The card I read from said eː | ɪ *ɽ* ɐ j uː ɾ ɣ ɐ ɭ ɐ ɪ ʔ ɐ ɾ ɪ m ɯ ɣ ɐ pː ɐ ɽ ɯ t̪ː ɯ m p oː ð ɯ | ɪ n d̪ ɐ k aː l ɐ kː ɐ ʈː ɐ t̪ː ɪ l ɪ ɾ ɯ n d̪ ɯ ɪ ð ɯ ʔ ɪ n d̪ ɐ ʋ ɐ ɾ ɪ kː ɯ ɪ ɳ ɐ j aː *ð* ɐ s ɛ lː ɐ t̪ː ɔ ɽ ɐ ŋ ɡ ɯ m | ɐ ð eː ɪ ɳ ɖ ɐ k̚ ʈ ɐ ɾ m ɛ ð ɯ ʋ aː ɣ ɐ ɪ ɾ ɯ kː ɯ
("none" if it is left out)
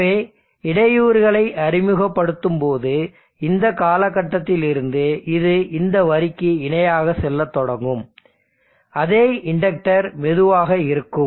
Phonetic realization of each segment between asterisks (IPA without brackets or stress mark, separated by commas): ɽ, ɣ